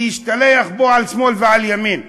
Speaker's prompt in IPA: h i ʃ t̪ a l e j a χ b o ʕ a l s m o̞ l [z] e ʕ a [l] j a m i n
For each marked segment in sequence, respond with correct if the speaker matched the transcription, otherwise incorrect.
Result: incorrect: v, correct

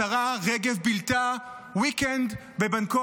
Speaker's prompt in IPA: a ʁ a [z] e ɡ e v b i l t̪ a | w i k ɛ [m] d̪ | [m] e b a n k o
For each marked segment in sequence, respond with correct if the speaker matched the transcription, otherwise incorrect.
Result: incorrect: ʁ, incorrect: n, incorrect: b

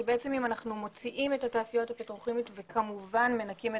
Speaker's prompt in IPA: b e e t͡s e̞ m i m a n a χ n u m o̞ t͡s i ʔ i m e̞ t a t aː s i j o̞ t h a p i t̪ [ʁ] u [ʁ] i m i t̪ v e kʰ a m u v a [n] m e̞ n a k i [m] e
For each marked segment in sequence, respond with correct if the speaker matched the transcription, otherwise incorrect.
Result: correct, incorrect: χ, correct, correct

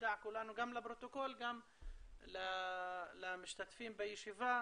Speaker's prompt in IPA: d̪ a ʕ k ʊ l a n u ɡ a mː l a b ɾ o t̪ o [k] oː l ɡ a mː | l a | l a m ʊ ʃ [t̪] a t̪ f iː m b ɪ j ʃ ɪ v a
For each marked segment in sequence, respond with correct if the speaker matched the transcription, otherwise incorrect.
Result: correct, correct

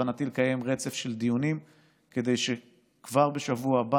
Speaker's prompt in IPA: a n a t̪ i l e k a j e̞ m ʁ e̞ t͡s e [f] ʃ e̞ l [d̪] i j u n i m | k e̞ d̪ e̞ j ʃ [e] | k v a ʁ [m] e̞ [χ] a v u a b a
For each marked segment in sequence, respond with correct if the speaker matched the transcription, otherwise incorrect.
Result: correct, correct, correct, incorrect: b, incorrect: ʃ

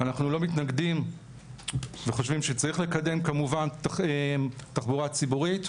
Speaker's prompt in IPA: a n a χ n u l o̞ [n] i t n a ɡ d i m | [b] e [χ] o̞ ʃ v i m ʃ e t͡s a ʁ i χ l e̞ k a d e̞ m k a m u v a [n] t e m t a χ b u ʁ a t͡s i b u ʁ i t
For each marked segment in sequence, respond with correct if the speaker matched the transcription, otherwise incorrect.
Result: incorrect: m, incorrect: v, correct, correct

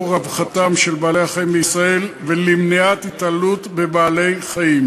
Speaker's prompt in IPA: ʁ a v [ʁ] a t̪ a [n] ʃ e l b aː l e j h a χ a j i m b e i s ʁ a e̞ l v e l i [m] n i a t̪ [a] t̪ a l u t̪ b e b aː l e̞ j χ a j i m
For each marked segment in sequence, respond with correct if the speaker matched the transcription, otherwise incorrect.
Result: incorrect: χ, incorrect: m, correct, incorrect: i

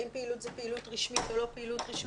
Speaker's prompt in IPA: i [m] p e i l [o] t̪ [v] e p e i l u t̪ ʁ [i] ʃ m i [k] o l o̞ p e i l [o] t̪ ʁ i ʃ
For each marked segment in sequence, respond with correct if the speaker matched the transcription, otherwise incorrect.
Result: correct, incorrect: u, incorrect: z, correct, incorrect: t, incorrect: u

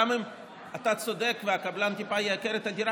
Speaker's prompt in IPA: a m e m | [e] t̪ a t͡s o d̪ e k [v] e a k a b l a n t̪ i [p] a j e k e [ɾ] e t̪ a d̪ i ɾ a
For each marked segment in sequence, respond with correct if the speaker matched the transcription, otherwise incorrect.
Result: incorrect: a, correct, correct, correct

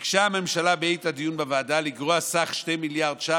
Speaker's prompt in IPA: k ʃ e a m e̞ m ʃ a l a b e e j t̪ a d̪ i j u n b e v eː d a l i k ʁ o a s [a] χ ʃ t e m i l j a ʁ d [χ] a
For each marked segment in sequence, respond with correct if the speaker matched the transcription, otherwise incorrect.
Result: correct, incorrect: ʃ

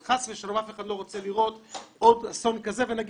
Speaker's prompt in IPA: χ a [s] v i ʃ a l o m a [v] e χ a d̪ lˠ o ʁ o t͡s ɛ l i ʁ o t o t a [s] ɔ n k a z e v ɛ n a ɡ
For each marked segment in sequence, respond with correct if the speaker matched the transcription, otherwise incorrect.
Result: correct, incorrect: f, correct

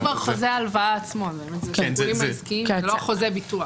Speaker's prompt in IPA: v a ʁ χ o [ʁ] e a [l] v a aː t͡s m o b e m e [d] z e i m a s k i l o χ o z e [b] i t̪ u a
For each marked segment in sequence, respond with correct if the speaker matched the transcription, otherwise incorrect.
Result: incorrect: z, correct, incorrect: t, correct

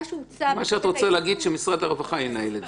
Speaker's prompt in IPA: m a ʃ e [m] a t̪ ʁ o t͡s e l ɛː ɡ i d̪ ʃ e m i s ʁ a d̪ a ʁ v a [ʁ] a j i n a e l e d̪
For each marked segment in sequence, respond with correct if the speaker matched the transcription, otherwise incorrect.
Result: incorrect: none, incorrect: χ

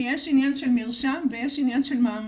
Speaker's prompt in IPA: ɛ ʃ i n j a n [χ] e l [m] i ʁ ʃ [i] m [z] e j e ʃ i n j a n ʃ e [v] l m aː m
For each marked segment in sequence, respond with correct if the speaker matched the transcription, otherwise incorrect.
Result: incorrect: ʃ, correct, incorrect: a, incorrect: v, incorrect: none

